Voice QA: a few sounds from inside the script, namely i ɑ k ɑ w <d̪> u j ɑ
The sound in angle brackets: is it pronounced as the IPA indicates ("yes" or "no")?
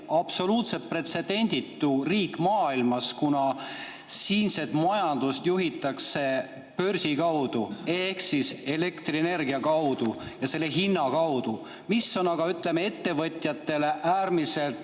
yes